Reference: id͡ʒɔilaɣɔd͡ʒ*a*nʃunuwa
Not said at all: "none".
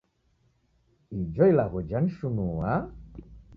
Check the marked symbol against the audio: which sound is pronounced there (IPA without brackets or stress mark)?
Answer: a